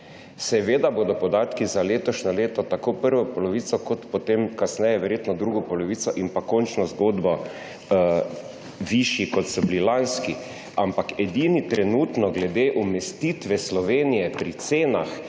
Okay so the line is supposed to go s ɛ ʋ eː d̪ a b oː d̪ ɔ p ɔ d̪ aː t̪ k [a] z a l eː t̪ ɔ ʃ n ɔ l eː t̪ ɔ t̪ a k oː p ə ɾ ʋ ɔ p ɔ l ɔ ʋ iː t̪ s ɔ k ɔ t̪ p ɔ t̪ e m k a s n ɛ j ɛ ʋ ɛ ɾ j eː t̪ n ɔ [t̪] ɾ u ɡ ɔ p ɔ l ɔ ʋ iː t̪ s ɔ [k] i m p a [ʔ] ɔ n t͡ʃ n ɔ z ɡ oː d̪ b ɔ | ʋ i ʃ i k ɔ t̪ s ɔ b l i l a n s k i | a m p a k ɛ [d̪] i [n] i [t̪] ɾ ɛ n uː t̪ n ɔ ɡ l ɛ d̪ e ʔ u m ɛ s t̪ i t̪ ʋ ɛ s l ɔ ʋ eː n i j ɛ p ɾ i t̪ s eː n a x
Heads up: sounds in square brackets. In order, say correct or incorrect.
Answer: incorrect: i, incorrect: d̪, incorrect: ʔ, incorrect: k, correct, correct, correct

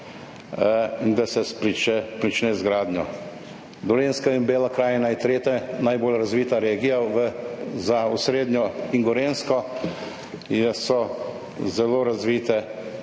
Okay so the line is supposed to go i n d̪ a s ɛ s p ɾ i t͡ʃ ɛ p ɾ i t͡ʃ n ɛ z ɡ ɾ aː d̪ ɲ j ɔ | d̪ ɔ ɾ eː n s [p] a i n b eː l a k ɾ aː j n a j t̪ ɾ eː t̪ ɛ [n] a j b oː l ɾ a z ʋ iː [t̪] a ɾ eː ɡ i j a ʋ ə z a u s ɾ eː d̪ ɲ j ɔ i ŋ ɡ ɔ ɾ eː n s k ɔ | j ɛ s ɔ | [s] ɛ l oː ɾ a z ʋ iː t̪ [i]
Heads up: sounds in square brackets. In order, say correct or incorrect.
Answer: incorrect: k, correct, correct, incorrect: z, incorrect: ɛ

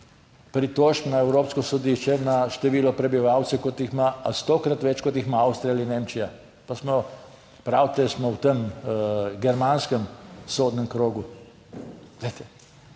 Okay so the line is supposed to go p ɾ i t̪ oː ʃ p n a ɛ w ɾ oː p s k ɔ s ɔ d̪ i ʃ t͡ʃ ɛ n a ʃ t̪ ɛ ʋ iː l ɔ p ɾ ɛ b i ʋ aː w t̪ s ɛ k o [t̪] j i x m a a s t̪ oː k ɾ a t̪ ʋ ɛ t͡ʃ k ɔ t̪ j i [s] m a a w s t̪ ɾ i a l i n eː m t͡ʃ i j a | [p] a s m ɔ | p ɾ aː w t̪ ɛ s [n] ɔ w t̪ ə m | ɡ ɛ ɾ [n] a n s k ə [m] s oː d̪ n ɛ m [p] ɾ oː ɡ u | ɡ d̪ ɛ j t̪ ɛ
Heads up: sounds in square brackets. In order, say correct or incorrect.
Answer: correct, incorrect: x, correct, incorrect: m, incorrect: m, correct, incorrect: k

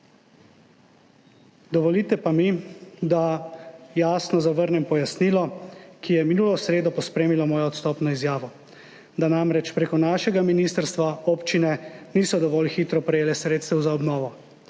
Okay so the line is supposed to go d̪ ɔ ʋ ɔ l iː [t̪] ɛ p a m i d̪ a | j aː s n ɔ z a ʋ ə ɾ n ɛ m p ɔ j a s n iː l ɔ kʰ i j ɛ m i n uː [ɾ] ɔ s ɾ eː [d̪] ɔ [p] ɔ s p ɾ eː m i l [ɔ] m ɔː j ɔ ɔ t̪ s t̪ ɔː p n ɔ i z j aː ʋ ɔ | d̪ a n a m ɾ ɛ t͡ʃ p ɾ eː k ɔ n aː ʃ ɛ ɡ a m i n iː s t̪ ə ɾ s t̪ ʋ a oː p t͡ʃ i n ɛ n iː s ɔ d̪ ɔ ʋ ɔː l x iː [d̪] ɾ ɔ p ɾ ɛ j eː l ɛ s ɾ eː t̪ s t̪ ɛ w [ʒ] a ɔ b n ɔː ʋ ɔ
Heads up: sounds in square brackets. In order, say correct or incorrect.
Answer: correct, incorrect: l, correct, correct, correct, incorrect: t̪, incorrect: z

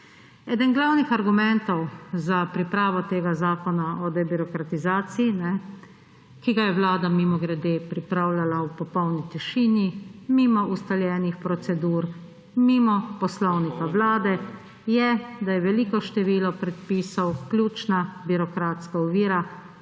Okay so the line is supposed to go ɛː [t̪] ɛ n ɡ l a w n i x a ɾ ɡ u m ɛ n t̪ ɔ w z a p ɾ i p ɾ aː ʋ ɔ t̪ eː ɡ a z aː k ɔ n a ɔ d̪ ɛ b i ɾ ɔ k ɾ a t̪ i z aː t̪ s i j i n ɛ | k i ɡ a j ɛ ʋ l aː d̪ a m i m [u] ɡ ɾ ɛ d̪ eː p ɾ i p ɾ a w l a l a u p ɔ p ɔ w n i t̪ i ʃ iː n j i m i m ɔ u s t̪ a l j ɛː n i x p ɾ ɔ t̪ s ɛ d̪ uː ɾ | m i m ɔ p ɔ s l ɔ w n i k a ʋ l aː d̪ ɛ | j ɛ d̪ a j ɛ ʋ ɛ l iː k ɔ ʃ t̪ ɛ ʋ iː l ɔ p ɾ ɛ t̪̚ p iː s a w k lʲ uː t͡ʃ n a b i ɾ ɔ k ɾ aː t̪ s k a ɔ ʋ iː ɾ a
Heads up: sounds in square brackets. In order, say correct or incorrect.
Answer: incorrect: d̪, incorrect: ɔ

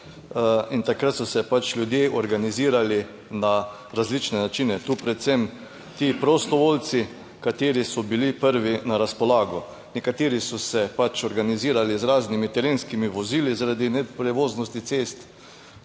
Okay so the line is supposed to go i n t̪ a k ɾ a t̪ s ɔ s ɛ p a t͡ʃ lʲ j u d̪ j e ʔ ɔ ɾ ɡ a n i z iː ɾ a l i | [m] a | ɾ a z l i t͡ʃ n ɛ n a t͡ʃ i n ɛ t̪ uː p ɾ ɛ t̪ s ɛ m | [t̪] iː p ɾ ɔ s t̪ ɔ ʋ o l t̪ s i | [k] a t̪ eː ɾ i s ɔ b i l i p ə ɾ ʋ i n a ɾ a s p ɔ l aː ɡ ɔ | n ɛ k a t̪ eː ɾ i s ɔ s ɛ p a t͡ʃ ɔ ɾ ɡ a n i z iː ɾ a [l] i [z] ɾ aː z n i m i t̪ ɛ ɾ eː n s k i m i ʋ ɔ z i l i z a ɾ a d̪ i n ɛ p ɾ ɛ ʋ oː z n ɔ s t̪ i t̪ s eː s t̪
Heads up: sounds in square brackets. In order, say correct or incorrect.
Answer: incorrect: n, correct, correct, correct, correct

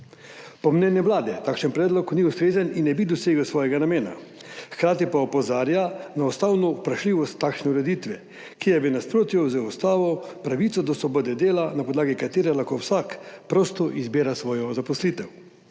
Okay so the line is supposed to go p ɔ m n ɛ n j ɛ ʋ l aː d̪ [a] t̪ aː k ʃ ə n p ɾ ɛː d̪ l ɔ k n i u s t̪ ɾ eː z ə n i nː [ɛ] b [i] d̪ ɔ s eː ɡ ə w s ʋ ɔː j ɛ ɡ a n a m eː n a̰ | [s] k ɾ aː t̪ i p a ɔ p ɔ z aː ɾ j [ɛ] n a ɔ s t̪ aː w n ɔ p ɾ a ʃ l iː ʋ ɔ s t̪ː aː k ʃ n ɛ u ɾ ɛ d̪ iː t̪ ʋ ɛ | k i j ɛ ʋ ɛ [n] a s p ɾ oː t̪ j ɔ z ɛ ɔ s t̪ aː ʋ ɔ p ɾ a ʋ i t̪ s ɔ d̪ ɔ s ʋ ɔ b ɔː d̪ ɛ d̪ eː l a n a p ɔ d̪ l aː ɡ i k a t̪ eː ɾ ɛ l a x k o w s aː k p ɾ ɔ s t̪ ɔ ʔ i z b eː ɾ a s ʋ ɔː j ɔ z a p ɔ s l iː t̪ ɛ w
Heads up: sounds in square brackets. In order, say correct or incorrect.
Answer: incorrect: ɛ, correct, correct, incorrect: x, incorrect: a, correct

